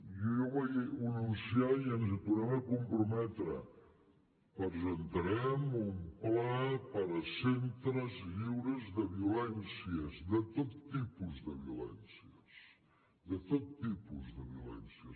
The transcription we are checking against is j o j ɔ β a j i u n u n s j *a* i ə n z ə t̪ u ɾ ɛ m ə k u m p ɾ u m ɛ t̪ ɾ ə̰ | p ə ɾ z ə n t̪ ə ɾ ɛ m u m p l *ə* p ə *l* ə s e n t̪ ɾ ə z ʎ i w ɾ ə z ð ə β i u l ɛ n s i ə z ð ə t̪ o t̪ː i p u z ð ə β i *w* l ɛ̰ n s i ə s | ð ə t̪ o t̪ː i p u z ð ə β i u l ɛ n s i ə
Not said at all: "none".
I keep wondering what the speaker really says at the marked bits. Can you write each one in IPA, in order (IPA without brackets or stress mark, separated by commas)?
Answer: a, a, ɾ, u